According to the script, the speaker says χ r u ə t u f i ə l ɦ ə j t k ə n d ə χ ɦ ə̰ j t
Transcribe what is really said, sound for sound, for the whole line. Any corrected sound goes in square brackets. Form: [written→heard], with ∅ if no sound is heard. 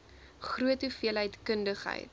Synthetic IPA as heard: χ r u ə t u f i ə l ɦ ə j t k ə n d ə χ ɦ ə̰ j t